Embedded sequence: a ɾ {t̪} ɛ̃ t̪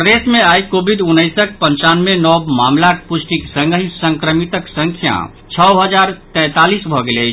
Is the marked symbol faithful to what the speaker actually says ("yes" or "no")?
yes